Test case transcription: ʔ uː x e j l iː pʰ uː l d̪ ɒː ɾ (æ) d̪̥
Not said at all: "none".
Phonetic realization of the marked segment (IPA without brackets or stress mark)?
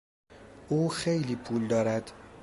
æ